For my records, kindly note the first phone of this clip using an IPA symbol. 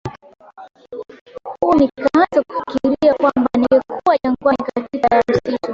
h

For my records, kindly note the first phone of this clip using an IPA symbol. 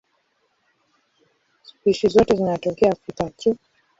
s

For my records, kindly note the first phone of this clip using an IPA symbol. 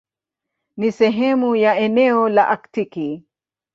n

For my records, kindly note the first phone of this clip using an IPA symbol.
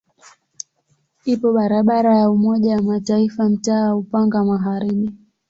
i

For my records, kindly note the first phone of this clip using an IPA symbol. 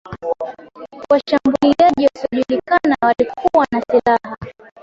w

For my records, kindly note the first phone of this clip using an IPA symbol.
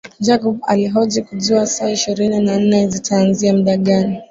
d͡ʒ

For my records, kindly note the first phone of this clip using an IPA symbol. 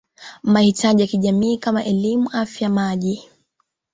m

